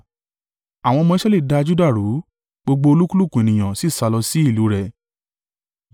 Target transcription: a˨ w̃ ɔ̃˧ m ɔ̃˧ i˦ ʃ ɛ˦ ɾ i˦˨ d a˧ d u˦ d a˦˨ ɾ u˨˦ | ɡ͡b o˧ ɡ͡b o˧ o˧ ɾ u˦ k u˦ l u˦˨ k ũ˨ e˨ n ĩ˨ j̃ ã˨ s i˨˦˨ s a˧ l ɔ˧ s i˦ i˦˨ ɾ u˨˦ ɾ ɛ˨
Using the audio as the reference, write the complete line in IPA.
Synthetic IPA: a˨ w̃ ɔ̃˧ m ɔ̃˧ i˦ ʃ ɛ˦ l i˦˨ d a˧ d͡ʒ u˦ d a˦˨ ɾ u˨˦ | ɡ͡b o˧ ɡ͡b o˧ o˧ l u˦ k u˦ l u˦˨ k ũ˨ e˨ n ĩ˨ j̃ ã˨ s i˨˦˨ s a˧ l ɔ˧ s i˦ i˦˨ l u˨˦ ɾ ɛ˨